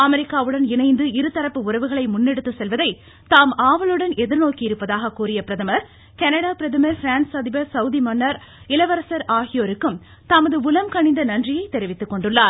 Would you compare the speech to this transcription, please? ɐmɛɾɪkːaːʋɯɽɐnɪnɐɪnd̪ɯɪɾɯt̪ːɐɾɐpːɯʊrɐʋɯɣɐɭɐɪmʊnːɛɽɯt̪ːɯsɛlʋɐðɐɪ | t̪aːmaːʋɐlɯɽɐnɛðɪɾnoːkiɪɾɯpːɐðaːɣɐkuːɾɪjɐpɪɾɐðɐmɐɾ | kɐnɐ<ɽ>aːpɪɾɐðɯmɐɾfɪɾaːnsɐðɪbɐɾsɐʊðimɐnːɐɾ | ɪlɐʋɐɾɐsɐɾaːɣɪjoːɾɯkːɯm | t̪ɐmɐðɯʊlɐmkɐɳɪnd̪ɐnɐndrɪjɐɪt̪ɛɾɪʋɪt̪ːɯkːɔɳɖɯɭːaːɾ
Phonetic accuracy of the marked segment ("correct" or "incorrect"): correct